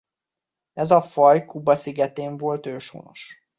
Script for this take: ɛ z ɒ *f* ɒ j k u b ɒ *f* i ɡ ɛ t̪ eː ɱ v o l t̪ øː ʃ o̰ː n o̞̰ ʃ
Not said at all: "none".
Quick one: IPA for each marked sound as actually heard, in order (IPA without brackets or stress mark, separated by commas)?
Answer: f, s